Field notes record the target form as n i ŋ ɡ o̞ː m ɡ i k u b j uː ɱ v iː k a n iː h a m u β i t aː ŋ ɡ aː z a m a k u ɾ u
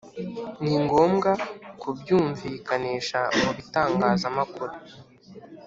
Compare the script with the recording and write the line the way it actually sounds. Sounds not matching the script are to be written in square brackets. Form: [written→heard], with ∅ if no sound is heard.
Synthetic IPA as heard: n i ŋ ɡ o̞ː m ɡ [i→a] k u b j uː ɱ v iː k a n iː [h→ʃ] a m u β i t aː ŋ ɡ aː z a m a k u ɾ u